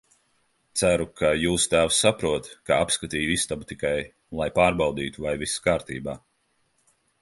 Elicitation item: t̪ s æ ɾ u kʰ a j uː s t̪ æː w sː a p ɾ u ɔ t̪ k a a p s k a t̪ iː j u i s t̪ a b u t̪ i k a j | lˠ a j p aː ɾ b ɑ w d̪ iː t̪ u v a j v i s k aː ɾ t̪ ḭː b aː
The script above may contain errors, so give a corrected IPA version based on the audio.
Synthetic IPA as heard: t̪ s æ ɾ u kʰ a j uː s t̪ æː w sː a p ɾ u ɔ t̪ k a a p s k a t̪ iː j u i s t̪ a b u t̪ i k a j | lˠ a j p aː ɾ b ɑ w d̪ iː t̪ u v a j v i s k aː ɾ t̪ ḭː b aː